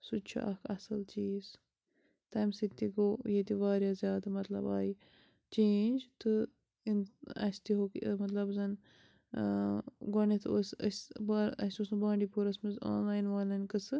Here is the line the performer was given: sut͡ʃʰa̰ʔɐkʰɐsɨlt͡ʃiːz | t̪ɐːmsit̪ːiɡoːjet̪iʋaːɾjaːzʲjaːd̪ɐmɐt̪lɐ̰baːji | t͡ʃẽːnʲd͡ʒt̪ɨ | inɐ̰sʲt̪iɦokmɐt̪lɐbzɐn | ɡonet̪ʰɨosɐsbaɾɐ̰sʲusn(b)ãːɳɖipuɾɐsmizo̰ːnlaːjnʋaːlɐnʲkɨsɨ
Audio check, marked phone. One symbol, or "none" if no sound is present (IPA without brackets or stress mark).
b